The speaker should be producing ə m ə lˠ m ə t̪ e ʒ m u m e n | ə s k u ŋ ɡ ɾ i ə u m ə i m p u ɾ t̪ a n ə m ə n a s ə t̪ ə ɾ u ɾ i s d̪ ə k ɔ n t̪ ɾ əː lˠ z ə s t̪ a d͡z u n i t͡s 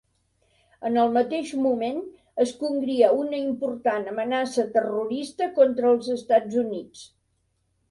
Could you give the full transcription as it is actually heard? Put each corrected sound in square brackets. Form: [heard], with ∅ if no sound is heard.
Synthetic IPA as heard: ə [n] ə lˠ m ə t̪ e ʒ m u m e n | ə s k u ŋ ɡ ɾ i ə u [n] ə i m p u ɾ t̪ a n ə m ə n a s ə t̪ ə [r] u ɾ i s [t̪] ə k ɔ n t̪ ɾ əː lˠ z ə s t̪ a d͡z u n i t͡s